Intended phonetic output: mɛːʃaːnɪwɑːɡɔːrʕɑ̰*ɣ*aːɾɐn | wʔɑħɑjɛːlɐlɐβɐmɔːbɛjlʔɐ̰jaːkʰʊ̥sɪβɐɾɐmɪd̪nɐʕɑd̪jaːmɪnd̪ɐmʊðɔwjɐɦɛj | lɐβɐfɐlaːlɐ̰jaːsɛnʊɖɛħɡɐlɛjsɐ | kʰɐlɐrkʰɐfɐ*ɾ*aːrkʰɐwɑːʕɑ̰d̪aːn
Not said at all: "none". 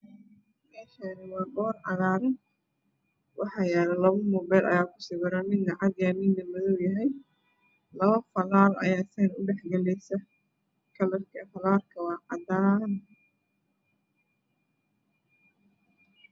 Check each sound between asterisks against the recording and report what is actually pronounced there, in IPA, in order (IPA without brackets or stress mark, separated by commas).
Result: ð, l